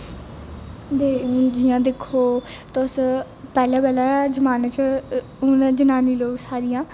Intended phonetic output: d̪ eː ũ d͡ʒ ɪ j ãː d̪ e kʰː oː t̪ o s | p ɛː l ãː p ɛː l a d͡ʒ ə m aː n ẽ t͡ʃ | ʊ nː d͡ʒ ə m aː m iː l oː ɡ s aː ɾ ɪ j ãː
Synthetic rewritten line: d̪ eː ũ d͡ʒ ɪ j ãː d̪ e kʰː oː t̪ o s | p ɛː l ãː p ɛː l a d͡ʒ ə m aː n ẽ t͡ʃ | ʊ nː d͡ʒ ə n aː n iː l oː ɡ s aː ɾ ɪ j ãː